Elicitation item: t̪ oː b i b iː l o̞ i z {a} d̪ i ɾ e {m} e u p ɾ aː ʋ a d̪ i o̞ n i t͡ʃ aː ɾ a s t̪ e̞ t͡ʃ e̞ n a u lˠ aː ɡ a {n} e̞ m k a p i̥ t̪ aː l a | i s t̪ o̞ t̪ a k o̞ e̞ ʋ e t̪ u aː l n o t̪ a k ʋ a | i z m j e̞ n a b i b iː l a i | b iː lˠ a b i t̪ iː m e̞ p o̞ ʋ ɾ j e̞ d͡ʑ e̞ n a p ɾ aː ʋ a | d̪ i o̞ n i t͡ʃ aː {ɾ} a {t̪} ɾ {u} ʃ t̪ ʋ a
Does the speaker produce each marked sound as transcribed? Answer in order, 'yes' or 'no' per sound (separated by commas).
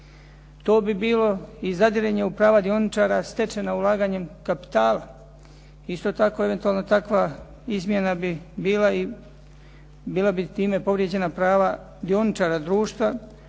yes, no, no, yes, no, no